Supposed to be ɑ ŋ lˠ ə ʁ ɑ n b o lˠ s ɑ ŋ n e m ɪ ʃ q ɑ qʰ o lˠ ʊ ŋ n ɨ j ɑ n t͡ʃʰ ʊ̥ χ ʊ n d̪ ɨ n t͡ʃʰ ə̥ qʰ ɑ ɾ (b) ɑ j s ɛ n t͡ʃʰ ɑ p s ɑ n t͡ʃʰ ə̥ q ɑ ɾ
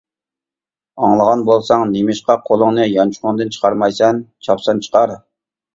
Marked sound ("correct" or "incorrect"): incorrect